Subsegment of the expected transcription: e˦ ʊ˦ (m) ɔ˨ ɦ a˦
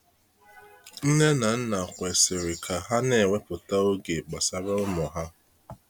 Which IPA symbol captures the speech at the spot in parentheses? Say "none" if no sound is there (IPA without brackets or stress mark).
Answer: m